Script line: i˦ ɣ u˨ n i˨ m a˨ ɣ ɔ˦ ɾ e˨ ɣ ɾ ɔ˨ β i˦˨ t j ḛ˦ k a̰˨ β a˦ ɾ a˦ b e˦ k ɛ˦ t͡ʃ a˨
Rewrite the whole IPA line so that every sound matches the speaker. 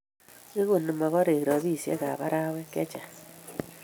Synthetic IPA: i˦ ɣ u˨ n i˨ m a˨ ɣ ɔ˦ ɾ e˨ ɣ ɾ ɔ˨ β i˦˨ s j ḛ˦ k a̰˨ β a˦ ɾ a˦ w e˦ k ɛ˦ t͡ʃ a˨